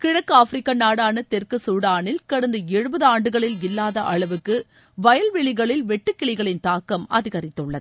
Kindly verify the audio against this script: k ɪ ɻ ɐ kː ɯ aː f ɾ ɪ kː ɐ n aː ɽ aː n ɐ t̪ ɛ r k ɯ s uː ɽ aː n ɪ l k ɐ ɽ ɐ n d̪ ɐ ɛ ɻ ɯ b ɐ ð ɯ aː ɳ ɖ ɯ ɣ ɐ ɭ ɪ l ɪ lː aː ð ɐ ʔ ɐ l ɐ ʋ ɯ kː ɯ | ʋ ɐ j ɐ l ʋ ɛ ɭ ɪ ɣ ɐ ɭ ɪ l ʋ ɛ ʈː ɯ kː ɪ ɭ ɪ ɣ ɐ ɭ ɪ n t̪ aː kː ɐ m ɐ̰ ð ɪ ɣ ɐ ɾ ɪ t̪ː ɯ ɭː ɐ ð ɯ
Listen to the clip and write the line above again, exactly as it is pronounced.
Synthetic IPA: k ɪ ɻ ɐ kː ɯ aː f ɾ ɪ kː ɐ n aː ɽ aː n ɐ t̪ ɛ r k ɯ s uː ɽ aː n ɪ l k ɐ ɽ ɐ n d̪ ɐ ɛ ɻ ɯ b ɐ ð ɯ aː ɳ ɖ ɯ ɣ ɐ ɭ ɪ l ɪ lː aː ð ɐ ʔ ɐ ɭ ɐ ʋ ɯ kː ɯ | ʋ ɐ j ɐ l ʋ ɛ ɭ ɪ ɣ ɐ ɭ ɪ l ʋ ɛ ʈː ɯ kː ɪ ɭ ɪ ɣ ɐ ɭ ɪ n t̪ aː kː ɐ m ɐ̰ ð ɪ ɣ ɐ ɾ ɪ t̪ː ɯ ɭː ɐ ð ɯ

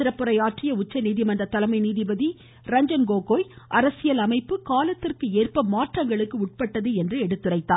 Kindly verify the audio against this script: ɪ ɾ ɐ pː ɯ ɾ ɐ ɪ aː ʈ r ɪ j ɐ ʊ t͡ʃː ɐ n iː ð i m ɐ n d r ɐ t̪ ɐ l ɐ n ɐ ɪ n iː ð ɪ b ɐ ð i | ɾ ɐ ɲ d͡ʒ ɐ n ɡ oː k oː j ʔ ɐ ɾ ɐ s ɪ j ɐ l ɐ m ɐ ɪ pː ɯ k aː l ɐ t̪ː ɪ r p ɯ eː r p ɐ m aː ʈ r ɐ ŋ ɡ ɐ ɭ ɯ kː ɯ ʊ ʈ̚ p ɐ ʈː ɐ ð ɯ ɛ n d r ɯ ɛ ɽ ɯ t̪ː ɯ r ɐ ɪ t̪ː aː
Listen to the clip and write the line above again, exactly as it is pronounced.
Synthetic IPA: ɪ ɾ ɐ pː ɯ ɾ ɐ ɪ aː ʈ r ɪ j ɐ ʊ t͡ʃː ɐ n iː ð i m ɐ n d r ɐ t̪ ɐ l ɐ m ɐ ɪ n iː ð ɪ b ɐ ð i | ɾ ɐ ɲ d͡ʒ ɐ n ɡ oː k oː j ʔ ɐ ɾ ɐ s ɪ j ɐ l ɐ m ɐ ɪ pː ɯ k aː l ɐ t̪ː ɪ r k ɯ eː r p ɐ m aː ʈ r ɐ ŋ ɡ ɐ ɭ ɯ kː ɯ ʊ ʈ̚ p ɐ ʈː ɐ ð ɯ ɛ n d r ɯ ɛ ɽ ɯ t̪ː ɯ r ɐ ɪ t̪ː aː

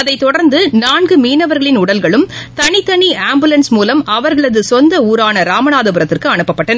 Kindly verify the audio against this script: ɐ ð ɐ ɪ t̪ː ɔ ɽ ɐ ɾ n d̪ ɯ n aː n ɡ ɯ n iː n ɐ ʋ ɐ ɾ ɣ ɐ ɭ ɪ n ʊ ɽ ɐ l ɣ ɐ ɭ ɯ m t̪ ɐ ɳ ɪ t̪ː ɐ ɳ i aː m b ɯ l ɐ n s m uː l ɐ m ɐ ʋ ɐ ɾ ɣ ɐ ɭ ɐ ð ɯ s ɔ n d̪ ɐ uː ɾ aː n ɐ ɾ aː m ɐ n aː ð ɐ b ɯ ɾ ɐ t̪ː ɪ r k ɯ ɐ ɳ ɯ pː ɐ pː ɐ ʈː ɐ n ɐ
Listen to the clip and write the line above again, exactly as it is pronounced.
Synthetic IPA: ɐ ð ɐ ɪ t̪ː ɔ ɽ ɐ ɾ n d̪ ɯ n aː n ɡ ɯ m iː n ɐ ʋ ɐ ɾ ɣ ɐ ɭ ɪ n ʊ ɽ ɐ l ɣ ɐ ɭ ɯ m t̪ ɐ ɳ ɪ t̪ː ɐ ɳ i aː m b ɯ l ɐ n s m uː l ɐ m ɐ ʋ ɐ ɾ ɣ ɐ ɭ ɐ ð ɯ s ɔ n d̪ ɐ uː ɾ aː n ɐ ɾ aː m ɐ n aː ð ɐ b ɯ ɾ ɐ t̪ː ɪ r k ɯ ɐ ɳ ɯ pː ɐ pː ɐ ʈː ɐ n ɐ

